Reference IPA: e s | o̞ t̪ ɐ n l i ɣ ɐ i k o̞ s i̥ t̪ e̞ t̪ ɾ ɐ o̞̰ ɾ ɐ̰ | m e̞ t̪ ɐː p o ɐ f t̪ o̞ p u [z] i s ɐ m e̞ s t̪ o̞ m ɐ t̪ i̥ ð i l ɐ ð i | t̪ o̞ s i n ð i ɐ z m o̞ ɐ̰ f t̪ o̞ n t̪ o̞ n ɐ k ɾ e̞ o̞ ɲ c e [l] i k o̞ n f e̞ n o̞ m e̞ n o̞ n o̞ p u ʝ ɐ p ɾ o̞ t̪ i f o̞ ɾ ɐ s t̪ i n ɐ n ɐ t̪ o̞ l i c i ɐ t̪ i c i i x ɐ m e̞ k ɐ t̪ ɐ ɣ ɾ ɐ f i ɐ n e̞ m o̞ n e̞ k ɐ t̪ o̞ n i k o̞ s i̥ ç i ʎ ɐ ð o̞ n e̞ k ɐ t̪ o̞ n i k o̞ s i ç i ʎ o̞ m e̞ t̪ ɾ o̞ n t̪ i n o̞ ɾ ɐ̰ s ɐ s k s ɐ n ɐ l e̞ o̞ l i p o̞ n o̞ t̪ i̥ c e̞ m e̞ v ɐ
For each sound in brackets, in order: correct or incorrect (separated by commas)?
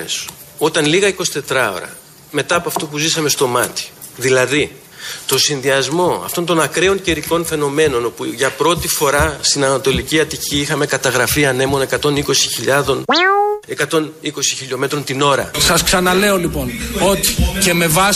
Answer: correct, incorrect